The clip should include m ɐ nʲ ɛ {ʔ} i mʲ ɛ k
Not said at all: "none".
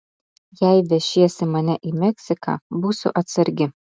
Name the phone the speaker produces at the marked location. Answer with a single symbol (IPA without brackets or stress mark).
ʔ